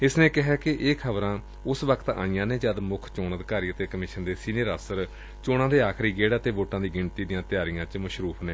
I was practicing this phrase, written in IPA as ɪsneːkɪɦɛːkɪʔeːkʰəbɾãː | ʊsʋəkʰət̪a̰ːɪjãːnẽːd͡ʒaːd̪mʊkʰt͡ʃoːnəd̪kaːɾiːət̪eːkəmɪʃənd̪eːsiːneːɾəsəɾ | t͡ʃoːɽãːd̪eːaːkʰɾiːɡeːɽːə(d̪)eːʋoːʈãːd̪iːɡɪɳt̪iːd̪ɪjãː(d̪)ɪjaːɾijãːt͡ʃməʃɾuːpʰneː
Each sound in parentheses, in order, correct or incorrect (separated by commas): incorrect, incorrect